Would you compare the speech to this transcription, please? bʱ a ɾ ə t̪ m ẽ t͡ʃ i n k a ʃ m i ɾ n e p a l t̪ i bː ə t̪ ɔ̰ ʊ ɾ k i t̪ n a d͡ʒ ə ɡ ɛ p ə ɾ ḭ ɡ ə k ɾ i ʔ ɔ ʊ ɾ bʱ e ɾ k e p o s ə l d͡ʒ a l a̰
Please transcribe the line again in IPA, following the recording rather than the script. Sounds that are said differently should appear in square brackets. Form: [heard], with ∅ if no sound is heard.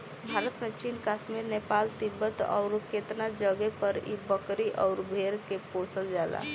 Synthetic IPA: bʱ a ɾ ə t̪ m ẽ t͡ʃ i n k a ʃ m i ɾ n e p a l t̪ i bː ə t̪ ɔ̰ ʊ ɾ k [e] t̪ n a d͡ʒ ə ɡ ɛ p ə ɾ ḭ [b] ə k ɾ i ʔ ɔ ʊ ɾ bʱ e ɾ k e p o s ə l d͡ʒ a l a̰